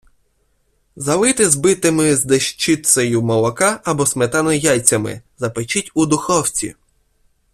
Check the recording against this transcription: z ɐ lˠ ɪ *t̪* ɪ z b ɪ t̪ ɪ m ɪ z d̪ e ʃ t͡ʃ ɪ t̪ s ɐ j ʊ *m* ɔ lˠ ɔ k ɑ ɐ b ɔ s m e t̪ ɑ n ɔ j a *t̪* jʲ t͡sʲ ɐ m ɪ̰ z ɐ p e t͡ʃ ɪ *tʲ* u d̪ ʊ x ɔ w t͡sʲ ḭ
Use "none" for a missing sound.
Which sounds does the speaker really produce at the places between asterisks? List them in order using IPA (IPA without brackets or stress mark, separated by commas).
t̪, m, none, tʲ